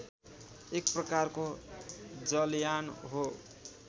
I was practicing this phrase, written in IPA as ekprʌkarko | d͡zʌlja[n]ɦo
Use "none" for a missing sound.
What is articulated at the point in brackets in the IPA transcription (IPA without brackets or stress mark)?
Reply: n